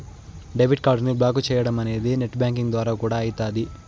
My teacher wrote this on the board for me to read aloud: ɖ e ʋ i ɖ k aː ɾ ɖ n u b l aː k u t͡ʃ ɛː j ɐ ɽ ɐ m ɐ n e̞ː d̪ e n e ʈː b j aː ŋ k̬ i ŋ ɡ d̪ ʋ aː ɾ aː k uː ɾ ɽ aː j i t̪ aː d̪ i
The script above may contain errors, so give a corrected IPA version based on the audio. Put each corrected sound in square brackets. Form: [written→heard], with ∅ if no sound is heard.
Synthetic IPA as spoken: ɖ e ʋ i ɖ k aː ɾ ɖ n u b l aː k u t͡ʃ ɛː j ɐ ɽ ɐ m ɐ n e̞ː d̪ [e→i] n e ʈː b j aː ŋ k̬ i ŋ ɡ d̪ ʋ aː ɾ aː k uː [ɾ→∅] ɽ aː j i t̪ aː d̪ i